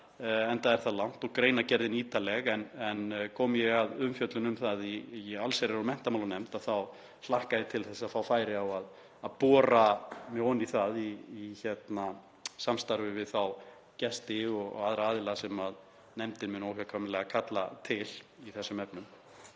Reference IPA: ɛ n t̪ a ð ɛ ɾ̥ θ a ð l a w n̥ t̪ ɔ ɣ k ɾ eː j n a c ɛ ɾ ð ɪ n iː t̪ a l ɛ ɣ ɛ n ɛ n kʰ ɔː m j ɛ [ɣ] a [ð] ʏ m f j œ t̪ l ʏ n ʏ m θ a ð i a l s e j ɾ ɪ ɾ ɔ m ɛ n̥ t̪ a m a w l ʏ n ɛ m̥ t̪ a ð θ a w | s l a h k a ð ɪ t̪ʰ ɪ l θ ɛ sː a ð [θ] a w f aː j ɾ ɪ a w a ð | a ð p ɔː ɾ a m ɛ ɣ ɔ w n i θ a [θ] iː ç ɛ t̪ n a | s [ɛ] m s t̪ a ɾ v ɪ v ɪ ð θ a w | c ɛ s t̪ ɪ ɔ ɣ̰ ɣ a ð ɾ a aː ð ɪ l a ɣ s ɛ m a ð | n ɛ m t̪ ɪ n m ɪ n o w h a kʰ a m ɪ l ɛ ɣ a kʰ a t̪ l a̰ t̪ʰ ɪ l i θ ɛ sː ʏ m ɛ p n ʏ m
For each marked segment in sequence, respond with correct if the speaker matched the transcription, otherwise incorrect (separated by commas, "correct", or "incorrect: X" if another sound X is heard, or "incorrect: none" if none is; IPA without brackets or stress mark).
correct, correct, incorrect: f, incorrect: ð, incorrect: a